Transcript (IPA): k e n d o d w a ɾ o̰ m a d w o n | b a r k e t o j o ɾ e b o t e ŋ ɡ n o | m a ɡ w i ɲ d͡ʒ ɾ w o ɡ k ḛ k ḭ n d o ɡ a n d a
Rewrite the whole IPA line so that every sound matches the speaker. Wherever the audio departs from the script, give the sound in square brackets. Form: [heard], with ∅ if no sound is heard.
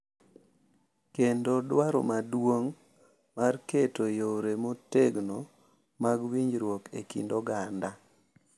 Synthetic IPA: k e n d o d w a ɾ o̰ m a d w o [ŋ] | [m] a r k e t o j o ɾ e [m] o t e [∅] ɡ n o | m a ɡ w i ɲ d͡ʒ ɾ w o [∅] k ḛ k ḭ n d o ɡ a n d a